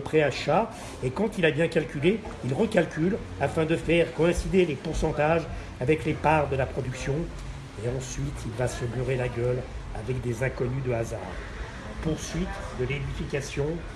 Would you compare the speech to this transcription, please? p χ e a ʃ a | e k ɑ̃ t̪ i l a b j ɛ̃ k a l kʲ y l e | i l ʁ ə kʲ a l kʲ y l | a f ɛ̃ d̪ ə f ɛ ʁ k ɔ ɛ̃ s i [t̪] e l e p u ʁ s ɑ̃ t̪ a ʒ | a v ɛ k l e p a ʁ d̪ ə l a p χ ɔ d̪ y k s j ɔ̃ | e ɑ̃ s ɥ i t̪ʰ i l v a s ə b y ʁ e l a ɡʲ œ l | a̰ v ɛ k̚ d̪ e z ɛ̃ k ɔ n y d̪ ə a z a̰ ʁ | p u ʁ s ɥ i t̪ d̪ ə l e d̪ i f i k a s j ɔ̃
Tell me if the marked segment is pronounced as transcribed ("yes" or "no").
no